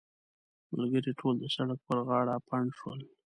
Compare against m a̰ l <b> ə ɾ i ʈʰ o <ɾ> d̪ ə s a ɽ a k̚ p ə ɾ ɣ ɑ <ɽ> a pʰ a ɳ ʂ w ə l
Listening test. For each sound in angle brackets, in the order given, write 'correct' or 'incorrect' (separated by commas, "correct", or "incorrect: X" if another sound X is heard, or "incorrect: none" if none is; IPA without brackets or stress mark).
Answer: incorrect: ɡ, incorrect: l, correct